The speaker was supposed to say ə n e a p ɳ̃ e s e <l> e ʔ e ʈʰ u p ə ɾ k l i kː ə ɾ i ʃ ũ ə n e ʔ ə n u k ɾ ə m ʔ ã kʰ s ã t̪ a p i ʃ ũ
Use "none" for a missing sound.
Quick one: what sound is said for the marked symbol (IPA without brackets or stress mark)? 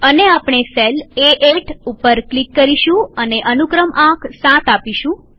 l